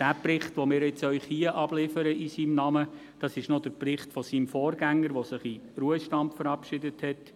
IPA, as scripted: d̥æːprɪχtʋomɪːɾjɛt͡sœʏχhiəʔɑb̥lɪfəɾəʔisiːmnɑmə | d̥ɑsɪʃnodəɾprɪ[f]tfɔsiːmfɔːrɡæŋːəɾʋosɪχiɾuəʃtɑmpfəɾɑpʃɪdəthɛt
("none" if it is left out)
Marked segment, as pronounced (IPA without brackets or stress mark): χ